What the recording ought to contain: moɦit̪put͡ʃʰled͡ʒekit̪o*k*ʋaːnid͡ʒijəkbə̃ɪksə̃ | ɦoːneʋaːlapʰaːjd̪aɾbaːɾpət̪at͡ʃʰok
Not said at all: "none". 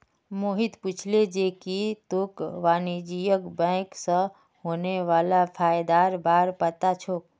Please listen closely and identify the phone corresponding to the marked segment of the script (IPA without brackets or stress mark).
k